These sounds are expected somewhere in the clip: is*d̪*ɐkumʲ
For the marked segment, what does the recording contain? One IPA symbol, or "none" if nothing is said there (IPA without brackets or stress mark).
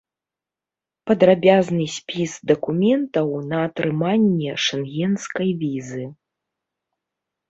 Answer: d̪